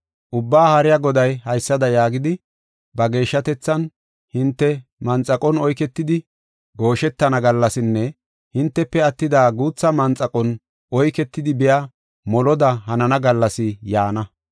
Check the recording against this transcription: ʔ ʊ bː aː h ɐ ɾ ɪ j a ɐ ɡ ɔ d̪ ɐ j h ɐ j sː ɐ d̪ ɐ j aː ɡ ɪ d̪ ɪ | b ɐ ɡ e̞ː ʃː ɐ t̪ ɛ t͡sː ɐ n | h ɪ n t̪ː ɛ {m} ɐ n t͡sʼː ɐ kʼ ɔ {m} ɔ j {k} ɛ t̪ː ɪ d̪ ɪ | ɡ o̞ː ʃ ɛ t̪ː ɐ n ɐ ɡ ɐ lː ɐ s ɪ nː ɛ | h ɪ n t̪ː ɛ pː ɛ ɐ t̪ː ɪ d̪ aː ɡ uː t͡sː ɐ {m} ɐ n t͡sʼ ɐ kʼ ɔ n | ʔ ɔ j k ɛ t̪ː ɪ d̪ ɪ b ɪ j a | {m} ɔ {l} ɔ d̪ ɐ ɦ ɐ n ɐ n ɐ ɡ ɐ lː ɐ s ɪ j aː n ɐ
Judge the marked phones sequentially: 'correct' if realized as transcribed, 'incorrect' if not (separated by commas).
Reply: correct, incorrect, correct, correct, correct, correct